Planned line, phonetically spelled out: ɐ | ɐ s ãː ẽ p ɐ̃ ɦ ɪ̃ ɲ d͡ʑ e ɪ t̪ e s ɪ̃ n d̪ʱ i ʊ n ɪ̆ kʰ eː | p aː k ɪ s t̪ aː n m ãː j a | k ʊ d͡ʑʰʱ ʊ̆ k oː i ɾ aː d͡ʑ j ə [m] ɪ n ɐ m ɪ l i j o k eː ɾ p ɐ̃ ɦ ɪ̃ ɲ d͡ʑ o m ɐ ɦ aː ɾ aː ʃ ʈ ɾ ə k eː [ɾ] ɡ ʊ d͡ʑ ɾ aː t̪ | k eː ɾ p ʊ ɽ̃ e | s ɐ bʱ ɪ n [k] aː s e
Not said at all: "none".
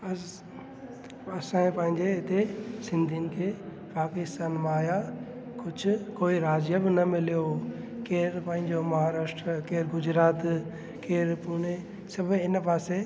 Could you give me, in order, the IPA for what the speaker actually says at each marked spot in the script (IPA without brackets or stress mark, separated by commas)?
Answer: b, ɾ, p